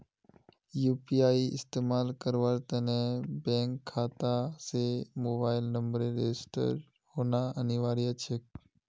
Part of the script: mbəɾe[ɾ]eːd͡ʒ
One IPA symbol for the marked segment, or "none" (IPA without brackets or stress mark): ɾ